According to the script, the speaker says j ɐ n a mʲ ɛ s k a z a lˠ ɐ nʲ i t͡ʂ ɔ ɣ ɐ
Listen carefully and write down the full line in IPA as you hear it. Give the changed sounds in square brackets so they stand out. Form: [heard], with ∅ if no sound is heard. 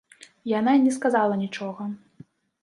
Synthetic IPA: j [a] n a [nʲ] ɛ s k a z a lˠ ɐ nʲ i t͡ʂ ɔ ɣ ɐ

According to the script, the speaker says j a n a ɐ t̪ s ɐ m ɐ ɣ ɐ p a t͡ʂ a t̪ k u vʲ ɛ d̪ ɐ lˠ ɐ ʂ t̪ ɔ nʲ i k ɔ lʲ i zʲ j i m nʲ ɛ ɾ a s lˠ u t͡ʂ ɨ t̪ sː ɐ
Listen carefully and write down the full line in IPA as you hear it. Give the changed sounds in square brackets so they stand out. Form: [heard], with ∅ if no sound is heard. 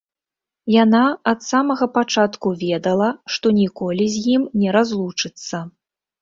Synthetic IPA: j a n a ɐ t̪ s [a] m ɐ ɣ ɐ p a t͡ʂ a t̪ k u vʲ ɛ d̪ ɐ lˠ ɐ ʂ t̪ ɔ nʲ i k ɔ lʲ i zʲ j i m nʲ ɛ ɾ a [z] lˠ u t͡ʂ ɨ t̪ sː ɐ

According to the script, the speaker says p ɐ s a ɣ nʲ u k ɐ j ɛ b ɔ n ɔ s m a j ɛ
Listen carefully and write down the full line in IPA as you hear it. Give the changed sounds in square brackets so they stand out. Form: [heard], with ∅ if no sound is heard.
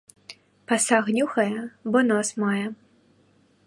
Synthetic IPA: p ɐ s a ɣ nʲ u [x] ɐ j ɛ b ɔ n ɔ s m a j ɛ

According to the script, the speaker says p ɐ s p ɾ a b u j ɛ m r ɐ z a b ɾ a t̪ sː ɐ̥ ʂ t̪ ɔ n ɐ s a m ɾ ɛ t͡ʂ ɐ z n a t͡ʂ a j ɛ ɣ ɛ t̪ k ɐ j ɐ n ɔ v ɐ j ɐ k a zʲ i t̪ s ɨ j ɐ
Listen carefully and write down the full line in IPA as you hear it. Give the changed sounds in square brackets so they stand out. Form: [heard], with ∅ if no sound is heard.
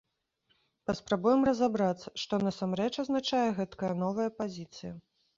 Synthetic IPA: p ɐ s p ɾ a b u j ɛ m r ɐ z a b ɾ a t̪ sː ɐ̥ ʂ t̪ ɔ n ɐ s a m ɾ ɛ t͡ʂ ɐ z n a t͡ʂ a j ɛ ɣ ɛ t̪ k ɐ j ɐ n ɔ v ɐ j ɐ [p] a zʲ i t̪ s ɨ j ɐ

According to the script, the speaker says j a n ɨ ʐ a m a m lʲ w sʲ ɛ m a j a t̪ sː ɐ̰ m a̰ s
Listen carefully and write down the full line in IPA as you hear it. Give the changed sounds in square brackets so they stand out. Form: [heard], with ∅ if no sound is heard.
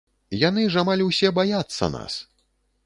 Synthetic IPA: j a n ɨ ʐ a m a [∅] lʲ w sʲ ɛ [b] a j a t̪ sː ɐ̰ [n] a̰ s

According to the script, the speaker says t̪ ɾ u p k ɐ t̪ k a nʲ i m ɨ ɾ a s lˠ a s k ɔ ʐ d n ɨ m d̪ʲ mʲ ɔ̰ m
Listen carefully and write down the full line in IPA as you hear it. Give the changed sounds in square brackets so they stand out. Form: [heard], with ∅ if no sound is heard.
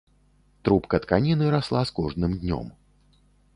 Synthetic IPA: t̪ ɾ u p k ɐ t̪ k a nʲ i [n] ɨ ɾ a s lˠ a s k ɔ ʐ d n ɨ m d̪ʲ [nʲ] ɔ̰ m

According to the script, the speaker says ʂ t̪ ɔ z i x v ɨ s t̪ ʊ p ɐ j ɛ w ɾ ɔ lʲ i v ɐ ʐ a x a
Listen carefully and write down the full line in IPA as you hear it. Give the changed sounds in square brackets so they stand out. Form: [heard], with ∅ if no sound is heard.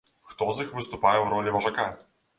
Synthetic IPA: [x] t̪ ɔ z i x v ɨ s t̪ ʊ p [a] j ɛ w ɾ ɔ lʲ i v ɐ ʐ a [k] a

